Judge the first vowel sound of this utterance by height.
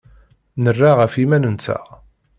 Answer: mid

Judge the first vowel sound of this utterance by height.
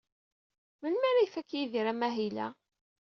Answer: mid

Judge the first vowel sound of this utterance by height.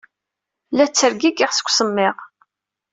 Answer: low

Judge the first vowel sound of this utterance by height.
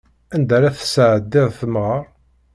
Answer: low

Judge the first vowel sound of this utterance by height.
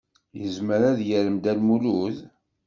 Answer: mid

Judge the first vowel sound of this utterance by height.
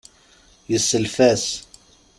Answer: mid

